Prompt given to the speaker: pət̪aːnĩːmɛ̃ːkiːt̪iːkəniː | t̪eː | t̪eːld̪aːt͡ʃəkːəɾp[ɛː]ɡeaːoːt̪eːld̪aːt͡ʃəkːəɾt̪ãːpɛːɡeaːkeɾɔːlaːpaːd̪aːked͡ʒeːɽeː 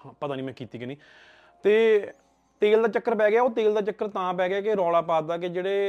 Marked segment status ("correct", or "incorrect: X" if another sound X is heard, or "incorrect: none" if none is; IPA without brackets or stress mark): correct